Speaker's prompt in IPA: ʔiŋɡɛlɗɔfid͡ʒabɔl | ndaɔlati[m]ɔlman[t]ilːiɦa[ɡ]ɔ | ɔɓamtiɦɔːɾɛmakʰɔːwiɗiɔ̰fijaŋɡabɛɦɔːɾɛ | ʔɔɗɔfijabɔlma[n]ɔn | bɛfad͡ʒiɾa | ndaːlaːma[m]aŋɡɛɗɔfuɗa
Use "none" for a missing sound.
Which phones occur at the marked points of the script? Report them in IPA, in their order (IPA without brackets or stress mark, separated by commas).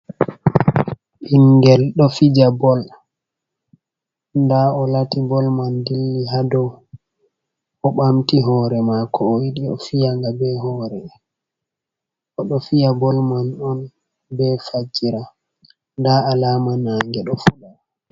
b, d, d, n, n